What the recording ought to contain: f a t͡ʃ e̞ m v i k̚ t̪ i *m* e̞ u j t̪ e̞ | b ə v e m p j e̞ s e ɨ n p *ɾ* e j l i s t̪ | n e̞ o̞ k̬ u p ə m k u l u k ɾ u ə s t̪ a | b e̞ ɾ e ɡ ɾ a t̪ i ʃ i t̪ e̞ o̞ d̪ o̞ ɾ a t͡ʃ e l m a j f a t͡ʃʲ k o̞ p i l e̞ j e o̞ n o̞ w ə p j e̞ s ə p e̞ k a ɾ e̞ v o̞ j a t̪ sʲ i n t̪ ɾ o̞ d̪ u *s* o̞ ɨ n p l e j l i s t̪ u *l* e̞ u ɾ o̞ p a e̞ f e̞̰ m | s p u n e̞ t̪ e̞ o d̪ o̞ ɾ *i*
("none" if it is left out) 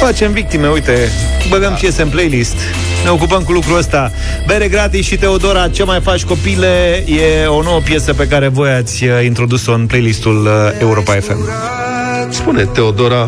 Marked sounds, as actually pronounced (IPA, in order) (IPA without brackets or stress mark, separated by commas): m, l, s, l, a